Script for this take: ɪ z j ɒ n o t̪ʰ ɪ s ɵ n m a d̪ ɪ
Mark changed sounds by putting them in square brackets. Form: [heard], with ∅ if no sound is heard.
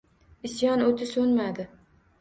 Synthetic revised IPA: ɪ [s] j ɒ n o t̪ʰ ɪ s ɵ n m a d̪ ɪ